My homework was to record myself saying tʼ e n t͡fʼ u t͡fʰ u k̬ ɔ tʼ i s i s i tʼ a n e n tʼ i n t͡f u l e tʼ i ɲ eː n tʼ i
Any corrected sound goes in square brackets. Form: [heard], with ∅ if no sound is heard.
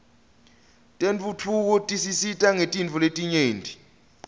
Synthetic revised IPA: tʼ e n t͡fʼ u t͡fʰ u k̬ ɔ tʼ i s i s i tʼ a [ŋ] e [∅] tʼ i n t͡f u l e tʼ i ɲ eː n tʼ i

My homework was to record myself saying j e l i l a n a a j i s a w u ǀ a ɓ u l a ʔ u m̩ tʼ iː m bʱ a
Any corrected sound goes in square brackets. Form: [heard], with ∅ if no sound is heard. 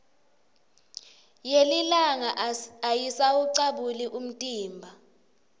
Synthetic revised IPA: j e l i l a [ŋ] a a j i s a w u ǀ a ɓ u l [i] ʔ u m̩ tʼ iː m bʱ a

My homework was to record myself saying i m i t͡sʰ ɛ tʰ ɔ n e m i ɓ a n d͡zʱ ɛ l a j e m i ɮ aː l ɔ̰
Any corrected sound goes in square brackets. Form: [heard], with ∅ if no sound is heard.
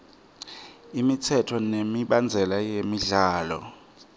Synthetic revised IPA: i m i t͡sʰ ɛ tʰ ɔ n e m i ɓ a n d͡zʱ ɛ l a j e m i ɮ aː l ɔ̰

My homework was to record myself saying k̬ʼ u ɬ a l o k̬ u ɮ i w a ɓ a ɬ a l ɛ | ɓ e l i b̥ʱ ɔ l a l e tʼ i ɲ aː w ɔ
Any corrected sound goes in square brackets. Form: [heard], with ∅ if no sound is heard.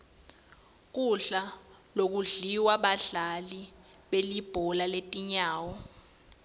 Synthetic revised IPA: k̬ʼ u ɬ a l o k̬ u ɮ i w a ɓ a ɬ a l [i] | ɓ e l i b̥ʱ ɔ l a l e tʼ i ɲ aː w ɔ

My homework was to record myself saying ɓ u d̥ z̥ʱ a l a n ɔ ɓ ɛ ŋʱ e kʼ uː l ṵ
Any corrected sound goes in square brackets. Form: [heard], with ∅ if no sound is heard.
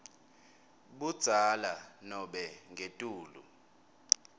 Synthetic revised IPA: ɓ u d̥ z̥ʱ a l a n ɔ ɓ ɛ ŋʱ e [tʼ] uː l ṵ

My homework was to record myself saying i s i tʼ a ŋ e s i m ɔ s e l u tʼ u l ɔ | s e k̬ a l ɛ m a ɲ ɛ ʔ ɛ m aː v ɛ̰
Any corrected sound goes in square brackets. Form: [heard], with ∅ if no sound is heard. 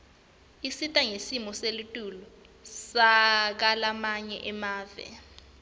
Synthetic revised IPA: i s i tʼ a ŋ e s i m ɔ s e l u tʼ u l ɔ | s [a] k̬ a l [a] m a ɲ ɛ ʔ ɛ m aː v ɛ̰

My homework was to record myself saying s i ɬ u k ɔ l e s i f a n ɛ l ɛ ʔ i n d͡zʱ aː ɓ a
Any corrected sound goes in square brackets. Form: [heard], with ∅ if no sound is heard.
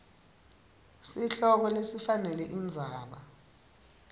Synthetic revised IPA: s i ɬ [ɔ] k ɔ l e s i f a n ɛ l ɛ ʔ i n d͡zʱ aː ɓ a

